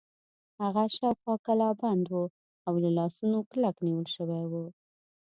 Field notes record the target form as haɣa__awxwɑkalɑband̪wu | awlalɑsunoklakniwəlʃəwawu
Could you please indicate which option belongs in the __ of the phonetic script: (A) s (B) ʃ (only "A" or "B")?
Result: B